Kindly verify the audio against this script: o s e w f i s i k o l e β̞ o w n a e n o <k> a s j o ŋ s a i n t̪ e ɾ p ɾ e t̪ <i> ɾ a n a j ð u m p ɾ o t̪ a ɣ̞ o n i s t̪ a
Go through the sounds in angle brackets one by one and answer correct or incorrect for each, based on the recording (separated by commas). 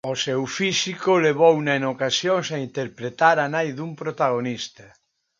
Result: correct, incorrect